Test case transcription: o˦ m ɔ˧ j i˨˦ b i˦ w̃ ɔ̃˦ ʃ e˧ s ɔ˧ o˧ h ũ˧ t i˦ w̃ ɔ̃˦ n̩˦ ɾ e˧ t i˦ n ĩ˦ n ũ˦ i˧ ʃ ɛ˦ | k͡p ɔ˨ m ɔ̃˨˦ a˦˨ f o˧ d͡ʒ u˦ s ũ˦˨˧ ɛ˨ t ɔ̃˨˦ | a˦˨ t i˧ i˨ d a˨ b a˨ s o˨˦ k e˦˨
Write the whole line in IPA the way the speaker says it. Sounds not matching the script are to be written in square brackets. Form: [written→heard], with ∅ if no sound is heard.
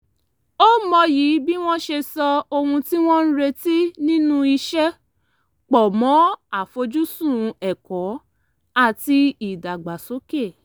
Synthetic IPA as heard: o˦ m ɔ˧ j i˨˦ b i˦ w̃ ɔ̃˦ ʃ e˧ s ɔ˧ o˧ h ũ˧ t i˦ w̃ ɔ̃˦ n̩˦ ɾ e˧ t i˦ n ĩ˦ n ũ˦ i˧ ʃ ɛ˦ | k͡p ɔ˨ m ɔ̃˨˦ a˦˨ f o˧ d͡ʒ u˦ s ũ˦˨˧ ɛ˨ [t→k] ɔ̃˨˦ | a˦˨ t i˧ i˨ d a˨ [b→ɡ͡b] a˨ s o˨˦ k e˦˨

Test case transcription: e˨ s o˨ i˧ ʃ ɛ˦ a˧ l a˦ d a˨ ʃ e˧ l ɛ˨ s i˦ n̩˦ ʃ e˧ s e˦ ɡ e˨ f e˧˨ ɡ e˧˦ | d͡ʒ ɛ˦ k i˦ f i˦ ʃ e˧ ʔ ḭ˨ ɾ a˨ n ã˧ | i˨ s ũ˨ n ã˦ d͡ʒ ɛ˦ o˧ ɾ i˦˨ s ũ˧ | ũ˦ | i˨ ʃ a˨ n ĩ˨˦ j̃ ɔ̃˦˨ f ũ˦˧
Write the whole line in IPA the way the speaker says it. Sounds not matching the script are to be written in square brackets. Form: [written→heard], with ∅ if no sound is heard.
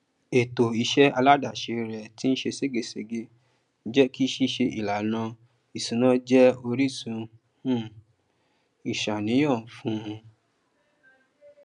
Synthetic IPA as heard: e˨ [s→t] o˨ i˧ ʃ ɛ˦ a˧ l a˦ d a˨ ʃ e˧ [l→ɾ] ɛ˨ [s→t] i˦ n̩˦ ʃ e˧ s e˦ ɡ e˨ [f→s] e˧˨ ɡ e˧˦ | d͡ʒ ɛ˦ k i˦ [f→ʃ] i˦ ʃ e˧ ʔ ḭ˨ [ɾ→l] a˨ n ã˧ | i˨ s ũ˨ n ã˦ d͡ʒ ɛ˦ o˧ ɾ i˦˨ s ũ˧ | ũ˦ | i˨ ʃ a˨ n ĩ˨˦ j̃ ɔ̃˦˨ f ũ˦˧

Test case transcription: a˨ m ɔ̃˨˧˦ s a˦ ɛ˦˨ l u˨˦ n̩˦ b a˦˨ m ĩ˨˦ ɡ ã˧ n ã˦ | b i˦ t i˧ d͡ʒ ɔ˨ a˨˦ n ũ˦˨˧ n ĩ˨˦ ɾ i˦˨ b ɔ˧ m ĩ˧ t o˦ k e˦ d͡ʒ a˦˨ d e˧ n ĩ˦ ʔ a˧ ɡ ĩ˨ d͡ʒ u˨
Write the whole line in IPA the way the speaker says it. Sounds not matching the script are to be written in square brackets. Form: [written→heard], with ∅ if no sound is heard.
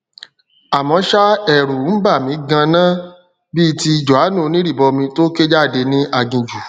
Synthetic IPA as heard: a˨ m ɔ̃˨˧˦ [s→ʃ] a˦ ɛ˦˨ [l→ɾ] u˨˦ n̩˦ b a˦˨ m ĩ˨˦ ɡ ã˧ n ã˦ | b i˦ t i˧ d͡ʒ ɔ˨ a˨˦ n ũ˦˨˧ n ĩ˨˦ ɾ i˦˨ b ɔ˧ m ĩ˧ t o˦ k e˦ d͡ʒ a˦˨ d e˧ n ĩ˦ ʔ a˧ ɡ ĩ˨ d͡ʒ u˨

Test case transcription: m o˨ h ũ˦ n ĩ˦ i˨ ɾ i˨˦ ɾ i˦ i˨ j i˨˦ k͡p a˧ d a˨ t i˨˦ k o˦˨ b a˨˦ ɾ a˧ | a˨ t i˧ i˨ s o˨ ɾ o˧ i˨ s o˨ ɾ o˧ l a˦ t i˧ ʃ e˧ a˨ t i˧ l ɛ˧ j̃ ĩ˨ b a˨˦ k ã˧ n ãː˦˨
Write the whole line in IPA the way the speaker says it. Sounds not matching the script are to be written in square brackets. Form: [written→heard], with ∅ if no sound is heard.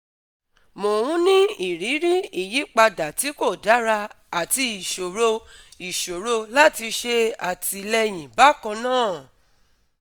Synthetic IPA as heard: m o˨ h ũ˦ n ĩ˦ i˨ ɾ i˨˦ ɾ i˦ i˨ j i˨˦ k͡p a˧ d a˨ t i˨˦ k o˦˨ [b→d] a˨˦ ɾ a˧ | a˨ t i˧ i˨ [s→ʃ] o˨ ɾ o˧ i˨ [s→ʃ] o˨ ɾ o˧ l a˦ t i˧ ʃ e˧ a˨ t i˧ l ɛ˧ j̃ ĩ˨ b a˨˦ k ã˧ n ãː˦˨

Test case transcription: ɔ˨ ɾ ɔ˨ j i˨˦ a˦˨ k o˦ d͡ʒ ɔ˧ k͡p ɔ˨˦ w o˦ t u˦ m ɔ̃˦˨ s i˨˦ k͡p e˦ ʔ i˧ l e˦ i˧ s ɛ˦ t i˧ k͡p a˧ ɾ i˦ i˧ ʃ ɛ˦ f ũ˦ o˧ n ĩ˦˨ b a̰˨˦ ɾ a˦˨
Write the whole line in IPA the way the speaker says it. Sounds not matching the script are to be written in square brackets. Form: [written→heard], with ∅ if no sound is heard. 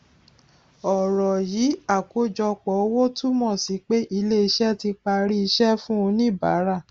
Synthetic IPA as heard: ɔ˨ ɾ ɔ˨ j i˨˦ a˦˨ k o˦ d͡ʒ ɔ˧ k͡p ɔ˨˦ w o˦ t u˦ m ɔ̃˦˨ s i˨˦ k͡p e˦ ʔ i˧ l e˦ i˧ [s→ʃ] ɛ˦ t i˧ k͡p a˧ ɾ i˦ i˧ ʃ ɛ˦ f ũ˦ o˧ n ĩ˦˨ b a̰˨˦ ɾ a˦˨

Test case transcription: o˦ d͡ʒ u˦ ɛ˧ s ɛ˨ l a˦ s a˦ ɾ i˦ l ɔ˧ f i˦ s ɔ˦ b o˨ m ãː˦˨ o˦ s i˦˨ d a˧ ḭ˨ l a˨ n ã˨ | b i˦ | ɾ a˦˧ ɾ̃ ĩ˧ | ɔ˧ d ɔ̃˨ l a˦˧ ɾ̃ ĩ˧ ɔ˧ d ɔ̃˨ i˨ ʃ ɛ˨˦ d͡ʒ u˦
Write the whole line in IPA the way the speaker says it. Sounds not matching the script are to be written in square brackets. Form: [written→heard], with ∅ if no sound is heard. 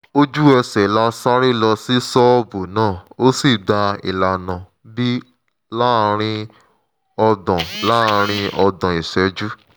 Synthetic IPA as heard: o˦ d͡ʒ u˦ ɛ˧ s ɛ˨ l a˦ s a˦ ɾ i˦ l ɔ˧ [f→s] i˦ s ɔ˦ b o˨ [m→n] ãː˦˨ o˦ s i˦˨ d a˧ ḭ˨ l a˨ n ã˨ | b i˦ | [ɾ→l] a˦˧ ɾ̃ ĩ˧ | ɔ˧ d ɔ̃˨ l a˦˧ ɾ̃ ĩ˧ ɔ˧ d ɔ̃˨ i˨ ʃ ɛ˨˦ d͡ʒ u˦

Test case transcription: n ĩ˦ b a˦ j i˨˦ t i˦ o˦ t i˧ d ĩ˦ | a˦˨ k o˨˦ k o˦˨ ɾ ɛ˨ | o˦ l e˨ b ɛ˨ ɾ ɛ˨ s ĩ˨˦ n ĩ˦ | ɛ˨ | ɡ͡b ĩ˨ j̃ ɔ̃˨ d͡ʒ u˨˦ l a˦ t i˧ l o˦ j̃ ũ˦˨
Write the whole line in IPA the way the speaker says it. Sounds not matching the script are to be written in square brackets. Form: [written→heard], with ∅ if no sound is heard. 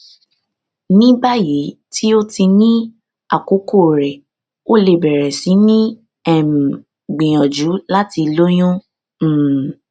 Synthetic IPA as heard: n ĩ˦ b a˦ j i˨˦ t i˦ o˦ t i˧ [d→n] ĩ˦ | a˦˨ k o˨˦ k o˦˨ ɾ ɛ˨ | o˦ l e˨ b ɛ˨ ɾ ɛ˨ s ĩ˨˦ n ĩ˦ | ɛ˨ | ɡ͡b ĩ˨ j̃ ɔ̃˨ d͡ʒ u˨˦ l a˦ t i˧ l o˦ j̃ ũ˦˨

